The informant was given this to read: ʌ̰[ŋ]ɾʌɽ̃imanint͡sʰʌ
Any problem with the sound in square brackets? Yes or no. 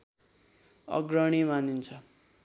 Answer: yes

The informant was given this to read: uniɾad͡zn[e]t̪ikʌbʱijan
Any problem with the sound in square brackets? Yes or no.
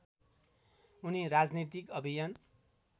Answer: yes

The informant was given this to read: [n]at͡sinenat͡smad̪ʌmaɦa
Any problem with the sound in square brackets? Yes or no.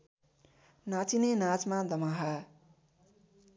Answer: no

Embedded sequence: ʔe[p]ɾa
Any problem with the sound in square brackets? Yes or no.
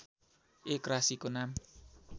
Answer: yes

